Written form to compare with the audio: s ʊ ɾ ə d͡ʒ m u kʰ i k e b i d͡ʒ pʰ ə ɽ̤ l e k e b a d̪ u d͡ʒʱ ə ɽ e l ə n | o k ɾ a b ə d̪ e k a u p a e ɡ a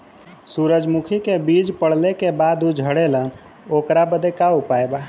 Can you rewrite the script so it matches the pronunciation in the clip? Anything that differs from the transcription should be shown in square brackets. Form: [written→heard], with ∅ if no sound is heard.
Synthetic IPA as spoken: s [ʊ→u] ɾ ə d͡ʒ m u kʰ i k e b i d͡ʒ [pʰ→p] ə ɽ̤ l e k e b a d̪ u d͡ʒʱ ə ɽ e l ə n | o k ɾ a b ə d̪ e k a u p a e [ɡ→b] a